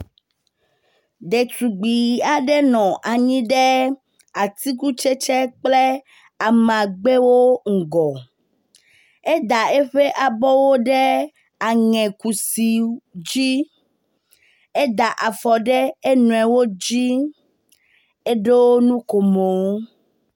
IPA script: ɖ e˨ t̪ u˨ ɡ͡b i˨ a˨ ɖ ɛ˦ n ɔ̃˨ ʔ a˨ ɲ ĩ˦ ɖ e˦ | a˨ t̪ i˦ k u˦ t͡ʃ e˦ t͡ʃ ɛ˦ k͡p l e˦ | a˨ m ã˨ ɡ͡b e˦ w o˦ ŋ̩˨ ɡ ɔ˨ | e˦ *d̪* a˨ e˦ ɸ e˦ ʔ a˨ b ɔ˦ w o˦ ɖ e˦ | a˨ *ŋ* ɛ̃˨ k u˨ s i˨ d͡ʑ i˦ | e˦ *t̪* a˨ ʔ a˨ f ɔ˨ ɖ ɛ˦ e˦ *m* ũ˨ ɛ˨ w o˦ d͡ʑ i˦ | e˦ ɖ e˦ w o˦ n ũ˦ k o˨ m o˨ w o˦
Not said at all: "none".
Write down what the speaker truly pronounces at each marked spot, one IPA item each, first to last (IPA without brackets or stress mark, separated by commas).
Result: d̪, ŋ, d̪, n